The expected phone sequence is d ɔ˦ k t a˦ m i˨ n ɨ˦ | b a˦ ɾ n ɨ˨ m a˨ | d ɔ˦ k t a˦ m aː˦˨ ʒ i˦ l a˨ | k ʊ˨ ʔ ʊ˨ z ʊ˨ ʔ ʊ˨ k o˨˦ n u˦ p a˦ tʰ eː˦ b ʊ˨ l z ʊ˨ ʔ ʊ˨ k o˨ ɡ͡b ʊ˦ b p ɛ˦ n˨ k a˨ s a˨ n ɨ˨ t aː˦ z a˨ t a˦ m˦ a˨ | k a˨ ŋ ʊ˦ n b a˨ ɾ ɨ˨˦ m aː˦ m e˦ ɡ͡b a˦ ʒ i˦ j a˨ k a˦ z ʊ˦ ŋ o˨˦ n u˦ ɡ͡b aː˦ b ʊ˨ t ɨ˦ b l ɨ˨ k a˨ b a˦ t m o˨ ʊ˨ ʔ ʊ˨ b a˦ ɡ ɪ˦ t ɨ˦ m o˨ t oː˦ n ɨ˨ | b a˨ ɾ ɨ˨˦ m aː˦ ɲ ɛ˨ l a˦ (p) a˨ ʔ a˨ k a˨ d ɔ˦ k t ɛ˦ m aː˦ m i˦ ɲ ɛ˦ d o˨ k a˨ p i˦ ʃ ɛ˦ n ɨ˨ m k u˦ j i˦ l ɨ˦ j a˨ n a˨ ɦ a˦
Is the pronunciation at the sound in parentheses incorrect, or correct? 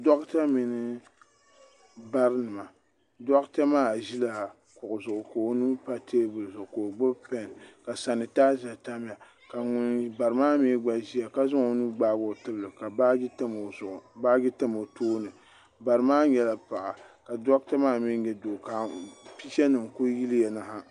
correct